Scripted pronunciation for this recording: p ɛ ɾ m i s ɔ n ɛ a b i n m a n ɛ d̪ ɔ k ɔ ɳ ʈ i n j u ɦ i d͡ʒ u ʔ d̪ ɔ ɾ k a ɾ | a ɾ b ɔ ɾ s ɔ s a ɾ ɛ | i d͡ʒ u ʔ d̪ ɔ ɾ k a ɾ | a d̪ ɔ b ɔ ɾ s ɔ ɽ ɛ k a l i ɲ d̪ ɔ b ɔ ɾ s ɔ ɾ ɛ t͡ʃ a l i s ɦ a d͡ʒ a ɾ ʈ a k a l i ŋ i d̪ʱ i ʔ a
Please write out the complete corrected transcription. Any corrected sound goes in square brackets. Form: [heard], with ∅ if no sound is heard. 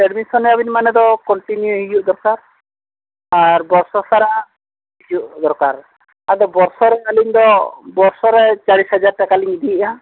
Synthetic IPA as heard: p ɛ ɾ m i s ɔ n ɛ a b i n m a n ɛ d̪ ɔ k ɔ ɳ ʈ i n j u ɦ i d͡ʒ u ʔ d̪ ɔ ɾ k a ɾ | a ɾ b ɔ ɾ s ɔ s a ɾ [a] | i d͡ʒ u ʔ d̪ ɔ ɾ k a ɾ | a d̪ ɔ b ɔ ɾ s ɔ [ɾ] ɛ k a l i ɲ d̪ ɔ b ɔ ɾ s ɔ ɾ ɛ t͡ʃ a [ɽ] i s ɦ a d͡ʒ a ɾ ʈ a k a l i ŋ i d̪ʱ i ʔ a